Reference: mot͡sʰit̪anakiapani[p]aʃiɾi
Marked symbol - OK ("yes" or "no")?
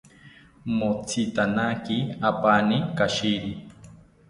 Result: no